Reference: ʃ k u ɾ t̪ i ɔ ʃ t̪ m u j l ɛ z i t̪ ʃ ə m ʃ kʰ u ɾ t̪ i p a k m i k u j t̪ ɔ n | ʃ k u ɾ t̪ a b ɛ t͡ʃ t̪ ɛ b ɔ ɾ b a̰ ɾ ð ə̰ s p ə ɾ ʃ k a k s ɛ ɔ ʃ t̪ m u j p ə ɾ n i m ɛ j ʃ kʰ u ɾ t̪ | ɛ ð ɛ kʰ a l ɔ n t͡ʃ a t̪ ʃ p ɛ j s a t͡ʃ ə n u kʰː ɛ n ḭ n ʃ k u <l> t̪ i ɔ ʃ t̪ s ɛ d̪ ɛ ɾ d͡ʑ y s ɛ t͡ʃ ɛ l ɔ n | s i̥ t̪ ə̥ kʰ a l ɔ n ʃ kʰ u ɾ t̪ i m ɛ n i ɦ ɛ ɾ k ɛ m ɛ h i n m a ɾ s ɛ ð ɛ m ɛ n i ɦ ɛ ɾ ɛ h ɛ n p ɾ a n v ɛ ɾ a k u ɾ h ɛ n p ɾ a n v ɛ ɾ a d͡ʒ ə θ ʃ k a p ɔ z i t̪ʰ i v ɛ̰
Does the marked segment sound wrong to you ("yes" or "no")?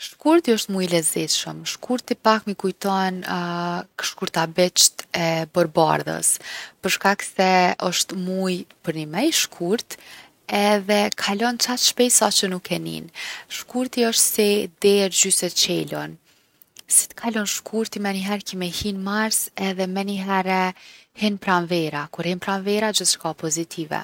yes